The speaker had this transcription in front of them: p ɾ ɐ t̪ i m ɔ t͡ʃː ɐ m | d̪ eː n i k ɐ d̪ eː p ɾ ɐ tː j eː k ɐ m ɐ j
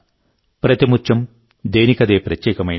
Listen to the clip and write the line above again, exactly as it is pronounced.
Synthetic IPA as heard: p ɾ ɐ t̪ i m u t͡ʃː ɐ m | d̪ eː n i k ɐ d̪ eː p ɾ ɐ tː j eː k ɐ m ɐ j